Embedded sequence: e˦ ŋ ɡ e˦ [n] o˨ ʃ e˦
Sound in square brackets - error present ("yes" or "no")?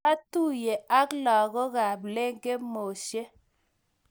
yes